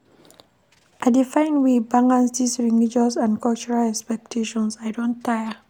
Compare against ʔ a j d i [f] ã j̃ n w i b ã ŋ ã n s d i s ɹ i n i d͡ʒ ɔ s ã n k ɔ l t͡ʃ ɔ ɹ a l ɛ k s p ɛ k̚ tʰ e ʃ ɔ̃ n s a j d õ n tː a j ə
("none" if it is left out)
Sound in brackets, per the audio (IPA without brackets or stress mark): f